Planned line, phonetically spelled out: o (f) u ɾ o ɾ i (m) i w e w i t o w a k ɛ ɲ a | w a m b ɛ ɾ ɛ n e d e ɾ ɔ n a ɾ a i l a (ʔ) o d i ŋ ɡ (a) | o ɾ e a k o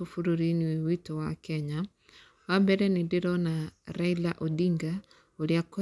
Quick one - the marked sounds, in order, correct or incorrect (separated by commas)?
correct, incorrect, correct, correct